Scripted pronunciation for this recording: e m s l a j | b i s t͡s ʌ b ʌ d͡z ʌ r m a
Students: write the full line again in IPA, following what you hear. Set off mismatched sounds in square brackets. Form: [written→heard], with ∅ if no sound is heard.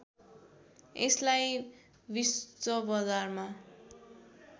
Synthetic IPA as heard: e [m→∅] s l a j | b i s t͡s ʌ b ʌ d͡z [ʌ→a] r m a